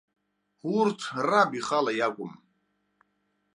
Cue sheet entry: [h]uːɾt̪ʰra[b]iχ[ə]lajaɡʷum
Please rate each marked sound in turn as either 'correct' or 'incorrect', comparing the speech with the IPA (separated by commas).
correct, correct, incorrect